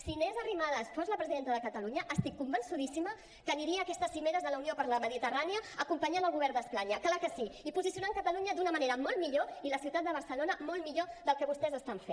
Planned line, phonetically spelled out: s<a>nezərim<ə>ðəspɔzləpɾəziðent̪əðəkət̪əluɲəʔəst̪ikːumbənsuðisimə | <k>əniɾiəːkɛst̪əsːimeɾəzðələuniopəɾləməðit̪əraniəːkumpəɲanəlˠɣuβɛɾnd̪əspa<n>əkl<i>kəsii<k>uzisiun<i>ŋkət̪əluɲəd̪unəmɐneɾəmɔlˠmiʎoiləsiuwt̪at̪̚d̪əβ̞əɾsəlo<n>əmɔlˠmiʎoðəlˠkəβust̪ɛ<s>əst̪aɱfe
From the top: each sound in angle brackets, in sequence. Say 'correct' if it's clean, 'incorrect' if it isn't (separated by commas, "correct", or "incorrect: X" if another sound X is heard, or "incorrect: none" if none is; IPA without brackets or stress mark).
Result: incorrect: i, incorrect: a, correct, incorrect: ɲ, incorrect: a, incorrect: p, incorrect: a, correct, incorrect: z